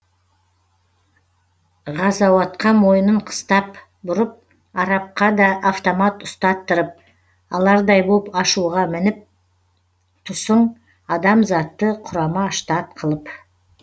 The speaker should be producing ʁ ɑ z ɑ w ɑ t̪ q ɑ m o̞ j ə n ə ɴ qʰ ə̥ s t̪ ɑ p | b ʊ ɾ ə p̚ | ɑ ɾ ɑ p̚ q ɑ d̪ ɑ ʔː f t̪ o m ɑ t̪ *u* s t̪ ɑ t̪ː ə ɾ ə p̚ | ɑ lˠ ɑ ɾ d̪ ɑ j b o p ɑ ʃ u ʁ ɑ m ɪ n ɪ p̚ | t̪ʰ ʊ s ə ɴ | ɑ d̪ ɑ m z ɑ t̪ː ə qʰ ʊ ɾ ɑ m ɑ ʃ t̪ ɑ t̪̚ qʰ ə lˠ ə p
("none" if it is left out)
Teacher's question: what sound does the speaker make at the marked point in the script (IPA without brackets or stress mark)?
ʊ